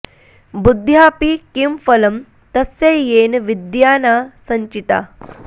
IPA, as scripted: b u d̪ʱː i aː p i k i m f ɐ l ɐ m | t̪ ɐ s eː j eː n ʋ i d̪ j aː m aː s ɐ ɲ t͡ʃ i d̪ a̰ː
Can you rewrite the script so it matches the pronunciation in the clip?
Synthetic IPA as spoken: b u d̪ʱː j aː p i k i m f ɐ l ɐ m | t̪ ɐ s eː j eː n ʋ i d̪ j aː n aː s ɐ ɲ t͡ʃ i t̪ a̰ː